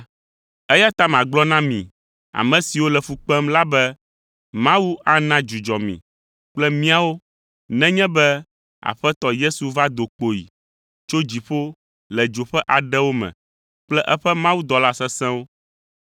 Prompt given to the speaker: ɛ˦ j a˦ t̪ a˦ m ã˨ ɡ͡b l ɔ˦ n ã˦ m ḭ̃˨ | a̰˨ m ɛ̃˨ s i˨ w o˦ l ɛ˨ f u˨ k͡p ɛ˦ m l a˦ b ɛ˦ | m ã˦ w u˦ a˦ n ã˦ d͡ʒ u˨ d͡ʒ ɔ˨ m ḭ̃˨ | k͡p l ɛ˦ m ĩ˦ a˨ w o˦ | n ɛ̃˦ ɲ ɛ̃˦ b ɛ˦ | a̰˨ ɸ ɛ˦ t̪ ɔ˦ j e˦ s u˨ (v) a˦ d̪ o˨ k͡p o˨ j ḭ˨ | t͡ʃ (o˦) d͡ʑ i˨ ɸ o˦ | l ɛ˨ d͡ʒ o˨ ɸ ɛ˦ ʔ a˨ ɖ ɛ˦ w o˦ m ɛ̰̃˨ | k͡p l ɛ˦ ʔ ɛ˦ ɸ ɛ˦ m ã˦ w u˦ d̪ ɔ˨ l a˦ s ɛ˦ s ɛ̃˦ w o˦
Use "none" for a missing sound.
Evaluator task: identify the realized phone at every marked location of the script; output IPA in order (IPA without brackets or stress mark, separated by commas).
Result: v, o˦